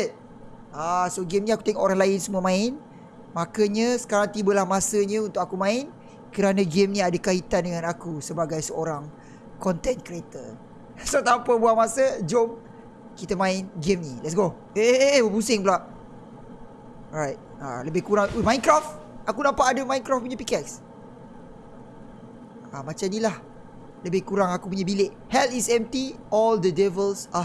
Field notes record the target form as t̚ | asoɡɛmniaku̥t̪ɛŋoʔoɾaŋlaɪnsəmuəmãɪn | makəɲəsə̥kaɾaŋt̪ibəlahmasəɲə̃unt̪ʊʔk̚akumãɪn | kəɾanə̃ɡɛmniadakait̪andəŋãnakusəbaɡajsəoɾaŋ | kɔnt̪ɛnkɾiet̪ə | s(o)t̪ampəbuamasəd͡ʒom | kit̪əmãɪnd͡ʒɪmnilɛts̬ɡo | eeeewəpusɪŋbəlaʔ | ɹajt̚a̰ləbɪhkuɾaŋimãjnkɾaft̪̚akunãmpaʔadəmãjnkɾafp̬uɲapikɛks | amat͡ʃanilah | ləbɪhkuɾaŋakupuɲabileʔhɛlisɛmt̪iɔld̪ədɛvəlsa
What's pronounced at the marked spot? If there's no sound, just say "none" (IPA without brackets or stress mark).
o